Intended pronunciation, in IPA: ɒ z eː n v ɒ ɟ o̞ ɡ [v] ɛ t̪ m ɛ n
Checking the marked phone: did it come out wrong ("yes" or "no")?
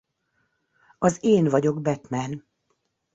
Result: yes